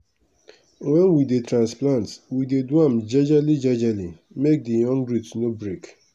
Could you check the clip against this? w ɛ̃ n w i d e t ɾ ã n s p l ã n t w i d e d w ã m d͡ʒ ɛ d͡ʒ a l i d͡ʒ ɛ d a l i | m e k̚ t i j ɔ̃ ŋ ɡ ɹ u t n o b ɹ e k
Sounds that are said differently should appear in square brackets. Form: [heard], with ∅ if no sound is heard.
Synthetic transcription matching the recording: w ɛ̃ n w i d e t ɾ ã n s p l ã n t w i d e d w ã m d͡ʒ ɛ d͡ʒ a l i d͡ʒ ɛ [d͡ʒ] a l i | m e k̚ [d] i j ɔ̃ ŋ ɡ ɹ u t n o b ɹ e k